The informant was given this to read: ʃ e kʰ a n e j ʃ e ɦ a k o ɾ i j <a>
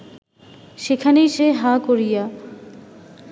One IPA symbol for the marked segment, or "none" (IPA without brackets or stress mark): a